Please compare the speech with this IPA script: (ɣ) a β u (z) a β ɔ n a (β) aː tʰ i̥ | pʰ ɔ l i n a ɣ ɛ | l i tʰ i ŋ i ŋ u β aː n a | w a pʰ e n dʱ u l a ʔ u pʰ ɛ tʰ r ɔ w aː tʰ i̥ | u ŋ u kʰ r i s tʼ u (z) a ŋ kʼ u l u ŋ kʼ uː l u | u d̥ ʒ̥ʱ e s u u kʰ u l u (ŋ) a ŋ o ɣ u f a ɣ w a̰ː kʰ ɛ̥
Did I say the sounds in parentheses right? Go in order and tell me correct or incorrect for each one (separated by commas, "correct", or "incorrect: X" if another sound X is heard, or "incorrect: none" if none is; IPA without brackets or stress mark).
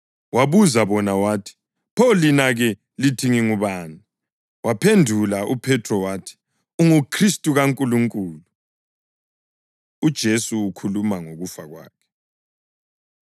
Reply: incorrect: w, correct, incorrect: w, incorrect: ɣ, incorrect: m